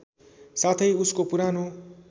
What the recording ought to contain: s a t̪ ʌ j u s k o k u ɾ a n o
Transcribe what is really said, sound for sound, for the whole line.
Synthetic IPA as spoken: s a t̪ʰ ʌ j u s k o p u ɾ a n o